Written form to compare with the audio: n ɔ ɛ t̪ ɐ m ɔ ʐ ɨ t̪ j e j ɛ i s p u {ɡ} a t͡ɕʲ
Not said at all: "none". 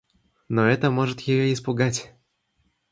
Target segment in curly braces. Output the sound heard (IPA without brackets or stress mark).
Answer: ɡ